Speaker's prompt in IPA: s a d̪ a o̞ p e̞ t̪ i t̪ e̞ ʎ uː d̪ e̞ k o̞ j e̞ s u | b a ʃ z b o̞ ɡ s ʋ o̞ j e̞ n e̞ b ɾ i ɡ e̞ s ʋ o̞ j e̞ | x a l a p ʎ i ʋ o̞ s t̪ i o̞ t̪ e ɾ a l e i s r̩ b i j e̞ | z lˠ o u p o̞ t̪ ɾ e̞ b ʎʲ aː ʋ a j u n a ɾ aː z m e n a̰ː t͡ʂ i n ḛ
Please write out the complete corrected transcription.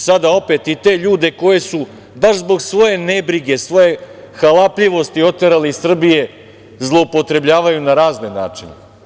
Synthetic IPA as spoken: s a d̪ a o̞ p e̞ t̪ i t̪ e̞ ʎ uː d̪ e̞ k o̞ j e̞ s u | b a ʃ z b o̞ ɡ s ʋ o̞ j e̞ n e̞ b ɾ i ɡ e̞ s ʋ o̞ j e̞ | x a l a p ʎ i ʋ o̞ s t̪ i o̞ t̪ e ɾ a l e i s r̩ b i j e̞ | z lˠ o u p o̞ t̪ ɾ e̞ b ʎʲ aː ʋ a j u n a ɾ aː z n e n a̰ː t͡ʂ i n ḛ